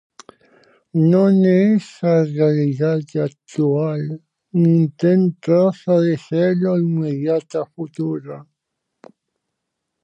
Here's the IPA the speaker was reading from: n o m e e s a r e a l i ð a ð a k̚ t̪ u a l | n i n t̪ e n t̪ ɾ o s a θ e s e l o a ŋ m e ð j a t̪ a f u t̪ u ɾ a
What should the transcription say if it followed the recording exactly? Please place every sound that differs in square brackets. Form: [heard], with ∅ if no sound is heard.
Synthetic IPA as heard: n o [n] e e s a r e a l i ð a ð a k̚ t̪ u a l | n i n t̪ e n t̪ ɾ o s a [ð] e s e l o [i] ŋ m e ð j a t̪ a f u t̪ u ɾ a